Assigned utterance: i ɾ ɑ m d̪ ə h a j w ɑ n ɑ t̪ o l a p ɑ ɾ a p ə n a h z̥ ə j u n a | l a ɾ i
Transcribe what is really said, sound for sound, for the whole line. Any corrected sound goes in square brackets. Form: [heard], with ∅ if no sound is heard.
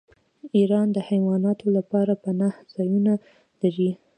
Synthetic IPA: i ɾ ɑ [n] d̪ ə h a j w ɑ n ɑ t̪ o l a p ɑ ɾ a p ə n a h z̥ [ɑ] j u n a | l a ɾ i

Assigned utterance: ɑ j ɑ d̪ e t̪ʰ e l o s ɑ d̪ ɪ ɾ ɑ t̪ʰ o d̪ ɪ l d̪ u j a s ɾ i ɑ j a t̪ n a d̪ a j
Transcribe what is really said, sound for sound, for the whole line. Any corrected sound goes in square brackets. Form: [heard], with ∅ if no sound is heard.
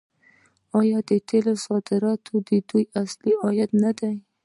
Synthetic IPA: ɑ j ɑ d̪ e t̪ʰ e l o s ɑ d̪ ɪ ɾ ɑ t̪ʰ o d̪ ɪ [∅] d̪ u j a s [l] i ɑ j a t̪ n a d̪ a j

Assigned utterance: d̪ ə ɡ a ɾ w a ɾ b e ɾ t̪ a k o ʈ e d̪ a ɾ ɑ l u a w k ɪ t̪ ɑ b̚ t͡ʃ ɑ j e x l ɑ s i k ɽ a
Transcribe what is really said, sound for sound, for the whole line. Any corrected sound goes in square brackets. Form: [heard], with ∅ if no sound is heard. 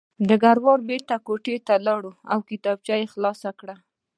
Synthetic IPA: d̪ ə ɡ a ɾ w [ɑ] ɾ b e ɾ t̪ a k o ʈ e [t̪] a [l] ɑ [ɽ] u a w k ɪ t̪ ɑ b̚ t͡ʃ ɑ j e x l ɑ s [a] k ɽ a

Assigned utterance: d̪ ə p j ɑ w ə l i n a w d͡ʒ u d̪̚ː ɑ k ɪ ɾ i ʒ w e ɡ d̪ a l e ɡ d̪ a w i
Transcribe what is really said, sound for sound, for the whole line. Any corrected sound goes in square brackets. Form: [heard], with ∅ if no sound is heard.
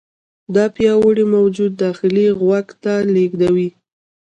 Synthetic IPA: d̪ [ɑ] p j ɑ w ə [ɽ] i [m] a w d͡ʒ u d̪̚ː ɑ [x] ɪ [l] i [ɣ] w [a] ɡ [t̪] a l e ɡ d̪ a w i

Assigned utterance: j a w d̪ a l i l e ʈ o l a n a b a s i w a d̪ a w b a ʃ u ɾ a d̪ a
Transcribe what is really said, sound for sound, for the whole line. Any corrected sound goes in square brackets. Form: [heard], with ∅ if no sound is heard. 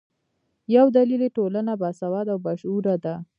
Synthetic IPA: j a w d̪ a l i l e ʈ o l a n a b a s [a] w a d̪ a w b a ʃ u ɾ a d̪ a

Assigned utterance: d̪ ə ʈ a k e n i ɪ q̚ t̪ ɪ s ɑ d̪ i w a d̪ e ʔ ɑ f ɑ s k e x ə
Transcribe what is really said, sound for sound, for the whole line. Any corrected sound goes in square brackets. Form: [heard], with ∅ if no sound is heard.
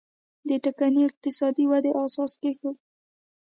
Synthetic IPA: d̪ ə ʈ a k [a] n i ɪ q̚ t̪ ɪ s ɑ d̪ i w a d̪ e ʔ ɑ [s] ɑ s k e x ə

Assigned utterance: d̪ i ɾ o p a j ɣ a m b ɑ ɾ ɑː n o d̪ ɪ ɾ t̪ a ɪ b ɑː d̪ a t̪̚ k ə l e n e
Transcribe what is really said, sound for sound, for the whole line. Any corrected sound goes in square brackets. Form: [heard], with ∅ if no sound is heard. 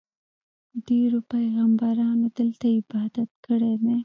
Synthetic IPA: d̪ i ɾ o p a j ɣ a m b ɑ ɾ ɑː n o d̪ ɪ [l] t̪ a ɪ b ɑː d̪ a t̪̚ k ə [ɽ] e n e

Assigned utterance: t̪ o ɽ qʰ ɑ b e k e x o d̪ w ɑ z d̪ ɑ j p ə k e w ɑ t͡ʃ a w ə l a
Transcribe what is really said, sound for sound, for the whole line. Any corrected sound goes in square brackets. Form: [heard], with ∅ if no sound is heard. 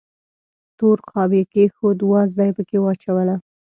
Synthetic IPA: t̪ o [ɾ] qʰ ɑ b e k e x o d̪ w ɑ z d̪ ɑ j p ə k e w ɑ t͡ʃ a w ə l a

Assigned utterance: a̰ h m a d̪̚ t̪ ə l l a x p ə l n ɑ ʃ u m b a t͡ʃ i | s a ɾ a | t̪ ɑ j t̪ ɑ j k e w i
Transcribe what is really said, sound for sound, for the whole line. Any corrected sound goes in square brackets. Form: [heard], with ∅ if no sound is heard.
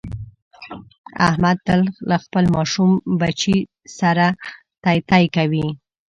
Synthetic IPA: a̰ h m a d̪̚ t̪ ə l l a x p ə l [m] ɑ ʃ u m b a t͡ʃ i | s a ɾ a | t̪ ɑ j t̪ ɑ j k [a] w i

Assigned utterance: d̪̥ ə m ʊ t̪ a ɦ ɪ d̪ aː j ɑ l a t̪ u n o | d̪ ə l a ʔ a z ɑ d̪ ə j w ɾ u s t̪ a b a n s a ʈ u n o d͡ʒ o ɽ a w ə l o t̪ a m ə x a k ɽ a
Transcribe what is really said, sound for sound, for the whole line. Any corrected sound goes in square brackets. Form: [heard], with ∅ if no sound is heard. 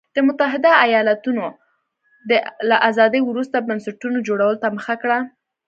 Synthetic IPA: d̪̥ ə m ʊ t̪ a ɦ ɪ d̪ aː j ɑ l a t̪ u n o | d̪ ə l a ʔ a z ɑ d̪ ə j w ɾ u s t̪ a b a n s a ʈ u n o d͡ʒ o ɽ a w ə l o t̪ a m ə x a k ɽ a

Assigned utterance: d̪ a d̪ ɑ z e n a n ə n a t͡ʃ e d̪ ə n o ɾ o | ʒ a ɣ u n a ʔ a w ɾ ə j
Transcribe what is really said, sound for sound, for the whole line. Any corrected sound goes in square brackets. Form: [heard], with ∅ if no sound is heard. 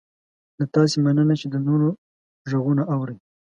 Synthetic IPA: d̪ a [t̪] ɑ [s] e [m] a n ə n a t͡ʃ e d̪ ə n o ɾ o | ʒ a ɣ u n a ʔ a w ɾ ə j

